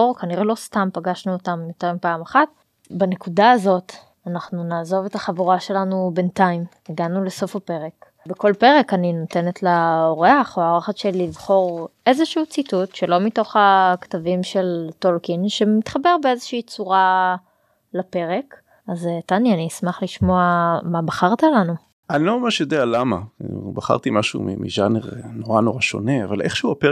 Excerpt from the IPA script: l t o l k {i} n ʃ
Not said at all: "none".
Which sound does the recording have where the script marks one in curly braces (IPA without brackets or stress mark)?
i